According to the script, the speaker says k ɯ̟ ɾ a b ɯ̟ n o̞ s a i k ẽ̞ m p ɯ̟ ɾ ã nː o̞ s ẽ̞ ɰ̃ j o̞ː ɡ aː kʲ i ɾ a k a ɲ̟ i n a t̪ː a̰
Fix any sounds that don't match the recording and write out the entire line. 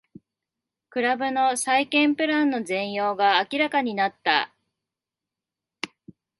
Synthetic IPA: k ɯ̟ ɾ a b ɯ̟ n o̞ s a i k ẽ̞ m p ɯ̟ ɾ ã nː o̞ z ẽ̞ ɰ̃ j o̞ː ɡ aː kʲ i ɾ a k a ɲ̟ i n a t̪ː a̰